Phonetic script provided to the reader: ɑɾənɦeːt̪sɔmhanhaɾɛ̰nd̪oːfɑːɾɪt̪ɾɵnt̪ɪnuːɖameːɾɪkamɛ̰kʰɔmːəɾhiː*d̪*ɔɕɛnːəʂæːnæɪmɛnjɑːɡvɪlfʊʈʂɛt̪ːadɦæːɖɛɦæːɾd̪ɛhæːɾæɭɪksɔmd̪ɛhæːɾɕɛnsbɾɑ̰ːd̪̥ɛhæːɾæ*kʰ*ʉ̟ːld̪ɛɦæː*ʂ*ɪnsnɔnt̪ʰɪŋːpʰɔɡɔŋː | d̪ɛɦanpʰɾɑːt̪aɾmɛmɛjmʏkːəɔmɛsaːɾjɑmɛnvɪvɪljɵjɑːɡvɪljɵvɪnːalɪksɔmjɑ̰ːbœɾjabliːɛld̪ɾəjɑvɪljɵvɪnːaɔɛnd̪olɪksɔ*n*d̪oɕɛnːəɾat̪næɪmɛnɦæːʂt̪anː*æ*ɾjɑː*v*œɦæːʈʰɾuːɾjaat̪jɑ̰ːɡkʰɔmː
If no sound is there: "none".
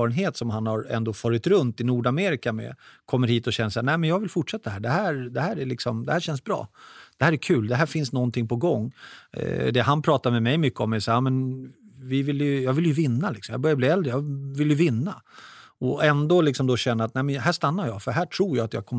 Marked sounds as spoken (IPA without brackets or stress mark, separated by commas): t̪, kʰ, f, m, a, f